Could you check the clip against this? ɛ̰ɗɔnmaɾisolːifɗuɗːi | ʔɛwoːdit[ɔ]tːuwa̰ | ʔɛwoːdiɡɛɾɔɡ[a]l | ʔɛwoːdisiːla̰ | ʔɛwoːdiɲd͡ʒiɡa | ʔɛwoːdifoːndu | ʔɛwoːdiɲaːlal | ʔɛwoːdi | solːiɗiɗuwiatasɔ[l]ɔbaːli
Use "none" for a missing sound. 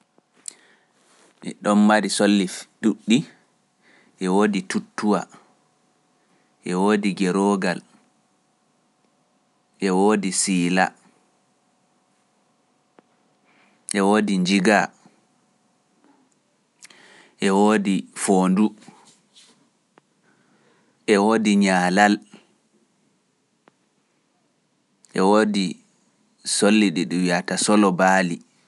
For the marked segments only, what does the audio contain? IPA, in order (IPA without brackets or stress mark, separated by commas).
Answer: u, a, l